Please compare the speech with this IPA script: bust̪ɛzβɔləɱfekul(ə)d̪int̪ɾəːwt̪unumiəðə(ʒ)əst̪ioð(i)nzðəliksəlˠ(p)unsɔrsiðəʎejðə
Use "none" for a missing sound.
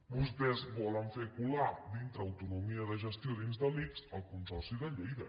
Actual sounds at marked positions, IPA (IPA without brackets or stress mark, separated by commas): a, ʒ, i, k